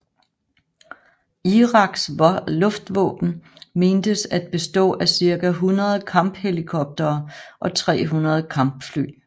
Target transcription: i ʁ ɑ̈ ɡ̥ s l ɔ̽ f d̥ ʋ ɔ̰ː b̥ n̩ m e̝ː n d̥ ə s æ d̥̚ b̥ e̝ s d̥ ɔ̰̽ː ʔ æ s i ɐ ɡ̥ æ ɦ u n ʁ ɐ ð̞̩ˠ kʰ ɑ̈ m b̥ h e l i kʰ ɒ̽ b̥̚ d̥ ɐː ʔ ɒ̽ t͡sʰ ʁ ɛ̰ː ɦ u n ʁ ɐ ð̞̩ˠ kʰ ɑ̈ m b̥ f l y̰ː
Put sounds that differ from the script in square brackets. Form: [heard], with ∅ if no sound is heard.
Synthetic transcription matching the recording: i ʁ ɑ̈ ɡ̥ s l ɔ̽ f d̥ ʋ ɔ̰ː b̥ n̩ m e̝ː n d̥ ə s æ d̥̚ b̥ e̝ s d̥ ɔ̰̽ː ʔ æ s i ɐ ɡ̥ æ ɦ u n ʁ ɐ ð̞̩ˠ kʰ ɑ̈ m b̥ h e l i kʰ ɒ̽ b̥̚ d̥ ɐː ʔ ɒ̽ t͡sʰ ʁ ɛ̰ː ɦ u n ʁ ɐ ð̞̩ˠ kʰ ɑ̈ m b̥ f l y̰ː